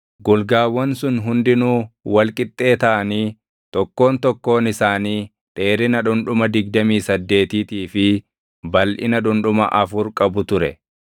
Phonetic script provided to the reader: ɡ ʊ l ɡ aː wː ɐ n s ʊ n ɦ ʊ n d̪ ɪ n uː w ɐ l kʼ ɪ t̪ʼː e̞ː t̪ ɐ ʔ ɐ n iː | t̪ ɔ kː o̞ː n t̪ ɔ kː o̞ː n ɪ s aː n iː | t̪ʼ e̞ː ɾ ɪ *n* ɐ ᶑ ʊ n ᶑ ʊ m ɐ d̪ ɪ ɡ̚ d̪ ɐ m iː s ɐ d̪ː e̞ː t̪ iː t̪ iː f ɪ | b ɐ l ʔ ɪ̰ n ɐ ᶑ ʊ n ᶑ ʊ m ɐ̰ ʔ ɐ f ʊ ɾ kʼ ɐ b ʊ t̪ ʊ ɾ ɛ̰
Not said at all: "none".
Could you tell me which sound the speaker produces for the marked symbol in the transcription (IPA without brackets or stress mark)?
n